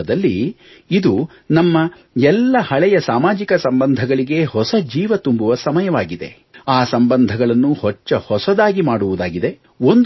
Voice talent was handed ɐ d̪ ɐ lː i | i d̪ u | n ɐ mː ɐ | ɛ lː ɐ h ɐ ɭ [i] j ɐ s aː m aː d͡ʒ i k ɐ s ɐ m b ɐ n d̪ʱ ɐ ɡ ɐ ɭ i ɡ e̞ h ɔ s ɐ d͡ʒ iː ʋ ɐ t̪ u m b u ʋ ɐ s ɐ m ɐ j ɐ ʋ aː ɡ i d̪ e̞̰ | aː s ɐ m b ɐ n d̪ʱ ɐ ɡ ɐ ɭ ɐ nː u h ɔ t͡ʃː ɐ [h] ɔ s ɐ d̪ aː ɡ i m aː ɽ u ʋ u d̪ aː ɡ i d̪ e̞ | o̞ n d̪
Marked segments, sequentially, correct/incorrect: incorrect, correct

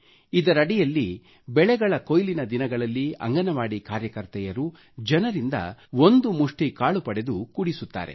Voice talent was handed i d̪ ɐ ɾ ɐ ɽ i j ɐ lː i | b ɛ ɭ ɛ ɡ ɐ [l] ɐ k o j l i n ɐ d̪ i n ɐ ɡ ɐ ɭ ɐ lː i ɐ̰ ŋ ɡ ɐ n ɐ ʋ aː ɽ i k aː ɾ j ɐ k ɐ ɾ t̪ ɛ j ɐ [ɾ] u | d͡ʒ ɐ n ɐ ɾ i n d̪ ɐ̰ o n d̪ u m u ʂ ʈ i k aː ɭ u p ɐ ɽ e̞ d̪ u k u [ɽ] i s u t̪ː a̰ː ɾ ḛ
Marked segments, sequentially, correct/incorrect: incorrect, correct, correct

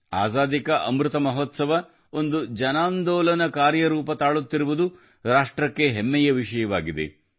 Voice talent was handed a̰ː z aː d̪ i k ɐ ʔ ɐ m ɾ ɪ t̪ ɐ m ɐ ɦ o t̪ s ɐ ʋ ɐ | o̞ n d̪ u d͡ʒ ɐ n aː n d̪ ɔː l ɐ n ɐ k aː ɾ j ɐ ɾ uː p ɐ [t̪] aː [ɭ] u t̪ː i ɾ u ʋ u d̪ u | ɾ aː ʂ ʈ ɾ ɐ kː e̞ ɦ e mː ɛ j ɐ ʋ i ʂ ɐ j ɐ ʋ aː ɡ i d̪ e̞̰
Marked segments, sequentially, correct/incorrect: correct, correct

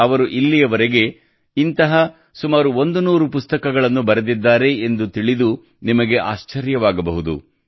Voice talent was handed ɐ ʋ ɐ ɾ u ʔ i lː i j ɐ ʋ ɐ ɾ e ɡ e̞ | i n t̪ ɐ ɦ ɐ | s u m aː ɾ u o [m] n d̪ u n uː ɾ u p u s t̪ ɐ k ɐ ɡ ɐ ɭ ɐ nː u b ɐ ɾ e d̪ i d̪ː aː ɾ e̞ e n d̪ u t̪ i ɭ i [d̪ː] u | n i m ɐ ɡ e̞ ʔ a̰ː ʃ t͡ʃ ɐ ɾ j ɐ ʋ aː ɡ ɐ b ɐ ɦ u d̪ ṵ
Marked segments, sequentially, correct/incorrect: incorrect, incorrect

